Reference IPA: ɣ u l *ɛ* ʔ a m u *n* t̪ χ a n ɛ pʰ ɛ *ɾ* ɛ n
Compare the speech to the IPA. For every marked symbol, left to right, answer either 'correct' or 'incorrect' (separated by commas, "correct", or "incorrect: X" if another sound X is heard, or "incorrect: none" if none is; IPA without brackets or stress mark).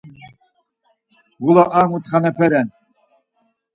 incorrect: a, incorrect: none, correct